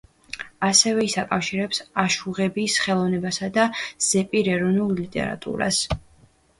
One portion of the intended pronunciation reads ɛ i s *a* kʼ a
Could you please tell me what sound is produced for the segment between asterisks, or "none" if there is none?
a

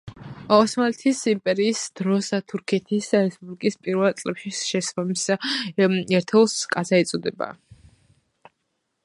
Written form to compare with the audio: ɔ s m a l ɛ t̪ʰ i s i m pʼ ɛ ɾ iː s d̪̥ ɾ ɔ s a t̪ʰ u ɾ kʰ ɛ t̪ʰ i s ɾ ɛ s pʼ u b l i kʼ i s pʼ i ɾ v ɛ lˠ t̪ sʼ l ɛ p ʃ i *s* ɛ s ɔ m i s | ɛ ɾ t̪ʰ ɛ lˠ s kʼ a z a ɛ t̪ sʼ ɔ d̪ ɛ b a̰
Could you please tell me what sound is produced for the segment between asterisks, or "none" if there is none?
ʃ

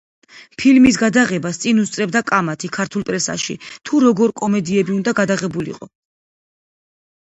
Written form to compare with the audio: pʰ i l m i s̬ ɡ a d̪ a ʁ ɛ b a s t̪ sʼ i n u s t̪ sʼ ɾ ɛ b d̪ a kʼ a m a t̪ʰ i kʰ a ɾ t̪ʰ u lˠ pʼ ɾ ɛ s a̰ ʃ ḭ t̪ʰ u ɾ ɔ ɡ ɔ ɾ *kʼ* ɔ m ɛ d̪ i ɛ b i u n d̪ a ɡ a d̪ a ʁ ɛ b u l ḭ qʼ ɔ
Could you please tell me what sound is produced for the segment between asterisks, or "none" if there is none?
kʼ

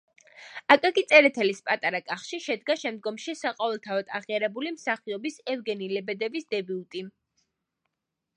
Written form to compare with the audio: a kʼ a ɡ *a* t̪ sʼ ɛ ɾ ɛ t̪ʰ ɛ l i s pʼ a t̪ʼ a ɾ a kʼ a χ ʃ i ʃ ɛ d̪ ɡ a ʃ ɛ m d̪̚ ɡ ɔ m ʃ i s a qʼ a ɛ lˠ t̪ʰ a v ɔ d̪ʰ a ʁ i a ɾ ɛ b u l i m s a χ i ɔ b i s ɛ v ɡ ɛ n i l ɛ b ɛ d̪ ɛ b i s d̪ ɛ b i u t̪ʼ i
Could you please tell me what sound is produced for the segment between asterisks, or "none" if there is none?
i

